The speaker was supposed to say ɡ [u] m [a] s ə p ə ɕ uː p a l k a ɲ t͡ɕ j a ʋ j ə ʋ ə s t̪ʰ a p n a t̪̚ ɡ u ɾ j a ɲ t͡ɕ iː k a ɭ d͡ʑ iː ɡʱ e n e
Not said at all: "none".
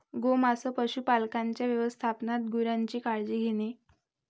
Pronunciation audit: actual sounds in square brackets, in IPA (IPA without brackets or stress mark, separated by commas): o, a